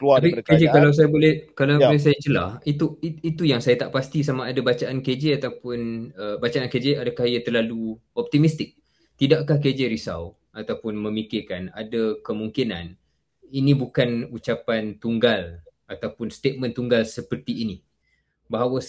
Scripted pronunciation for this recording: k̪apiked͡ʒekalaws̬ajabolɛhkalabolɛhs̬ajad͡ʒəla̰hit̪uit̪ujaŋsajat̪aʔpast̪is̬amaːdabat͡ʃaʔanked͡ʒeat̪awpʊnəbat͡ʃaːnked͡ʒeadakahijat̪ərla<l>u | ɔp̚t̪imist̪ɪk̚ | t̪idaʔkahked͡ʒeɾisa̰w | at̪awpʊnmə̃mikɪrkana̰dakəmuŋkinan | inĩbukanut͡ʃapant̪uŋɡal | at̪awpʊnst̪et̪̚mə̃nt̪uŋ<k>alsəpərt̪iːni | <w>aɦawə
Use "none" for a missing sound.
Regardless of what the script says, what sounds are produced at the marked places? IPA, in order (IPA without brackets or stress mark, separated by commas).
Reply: l, ɡ, b